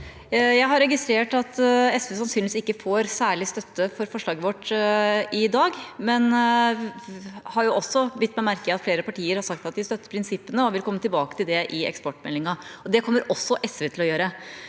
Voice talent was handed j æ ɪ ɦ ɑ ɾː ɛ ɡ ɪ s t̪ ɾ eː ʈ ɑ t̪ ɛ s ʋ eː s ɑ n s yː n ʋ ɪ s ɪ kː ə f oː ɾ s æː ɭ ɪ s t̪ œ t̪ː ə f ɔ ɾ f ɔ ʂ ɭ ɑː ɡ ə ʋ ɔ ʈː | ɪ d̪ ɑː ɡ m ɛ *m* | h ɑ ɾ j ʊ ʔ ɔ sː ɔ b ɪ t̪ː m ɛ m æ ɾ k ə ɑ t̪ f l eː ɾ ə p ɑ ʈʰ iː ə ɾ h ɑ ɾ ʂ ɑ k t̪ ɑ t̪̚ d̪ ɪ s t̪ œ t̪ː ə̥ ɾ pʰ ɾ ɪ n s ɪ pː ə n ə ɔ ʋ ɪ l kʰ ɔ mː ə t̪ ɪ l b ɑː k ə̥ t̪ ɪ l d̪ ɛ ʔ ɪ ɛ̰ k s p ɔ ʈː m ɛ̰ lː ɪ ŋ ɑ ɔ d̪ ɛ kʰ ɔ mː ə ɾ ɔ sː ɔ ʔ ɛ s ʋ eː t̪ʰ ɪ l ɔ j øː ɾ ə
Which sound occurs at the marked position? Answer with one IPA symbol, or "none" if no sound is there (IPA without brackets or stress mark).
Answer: n